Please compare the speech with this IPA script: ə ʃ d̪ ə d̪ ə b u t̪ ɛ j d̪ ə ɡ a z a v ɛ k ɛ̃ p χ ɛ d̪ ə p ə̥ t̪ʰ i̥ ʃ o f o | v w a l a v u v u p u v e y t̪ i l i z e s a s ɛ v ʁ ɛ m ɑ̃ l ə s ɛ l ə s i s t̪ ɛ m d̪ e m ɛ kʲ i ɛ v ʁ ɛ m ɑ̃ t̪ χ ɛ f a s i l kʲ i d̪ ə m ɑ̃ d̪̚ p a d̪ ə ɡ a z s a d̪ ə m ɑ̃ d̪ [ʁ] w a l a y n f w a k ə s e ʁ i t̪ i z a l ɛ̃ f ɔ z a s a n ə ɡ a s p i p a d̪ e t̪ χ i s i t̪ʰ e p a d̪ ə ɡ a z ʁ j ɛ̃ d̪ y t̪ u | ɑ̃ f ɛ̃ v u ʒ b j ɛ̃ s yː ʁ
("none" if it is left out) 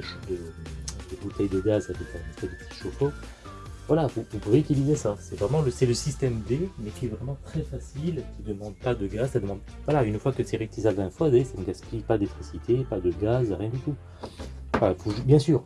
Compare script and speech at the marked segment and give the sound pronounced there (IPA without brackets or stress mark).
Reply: v